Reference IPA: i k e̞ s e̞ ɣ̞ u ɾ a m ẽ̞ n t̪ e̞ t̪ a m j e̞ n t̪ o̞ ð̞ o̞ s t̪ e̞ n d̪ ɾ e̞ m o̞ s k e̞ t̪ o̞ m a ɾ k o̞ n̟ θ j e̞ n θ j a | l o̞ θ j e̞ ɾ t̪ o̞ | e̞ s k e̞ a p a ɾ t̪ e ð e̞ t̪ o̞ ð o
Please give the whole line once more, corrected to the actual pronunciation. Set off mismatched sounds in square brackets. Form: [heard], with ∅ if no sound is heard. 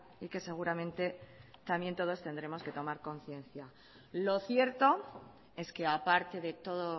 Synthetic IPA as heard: i k e̞ s e̞ ɣ̞ u ɾ a m ẽ̞ n t̪ e̞ t̪ a m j e̞ n t̪ o̞ ð̞ o̞ s t̪ e̞ n d̪ ɾ e̞ m o̞ s k e̞ t̪ o̞ m a ɾ k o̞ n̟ θ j e̞ n θ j a | l o̞ θ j e̞ ɾ t̪ o̞ | e̞ s k e̞ a p a ɾ t̪ e ð e̞ t̪ o̞ ð o